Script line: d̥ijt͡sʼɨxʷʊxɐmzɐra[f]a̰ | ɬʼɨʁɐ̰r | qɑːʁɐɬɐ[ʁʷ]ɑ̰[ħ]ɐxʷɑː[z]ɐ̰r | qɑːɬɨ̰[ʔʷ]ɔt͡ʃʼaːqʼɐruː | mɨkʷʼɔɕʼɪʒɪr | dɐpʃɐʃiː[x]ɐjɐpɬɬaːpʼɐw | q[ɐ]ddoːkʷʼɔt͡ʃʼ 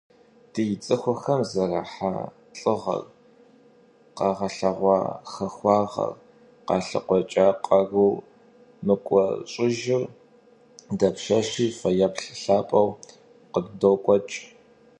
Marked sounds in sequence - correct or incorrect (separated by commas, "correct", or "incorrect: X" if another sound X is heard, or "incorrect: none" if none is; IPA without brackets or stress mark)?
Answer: incorrect: ħ, correct, incorrect: x, incorrect: ʁ, incorrect: qʷ, incorrect: f, incorrect: ə